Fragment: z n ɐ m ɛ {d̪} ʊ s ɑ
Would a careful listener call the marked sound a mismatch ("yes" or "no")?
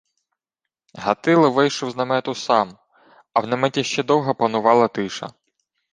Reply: yes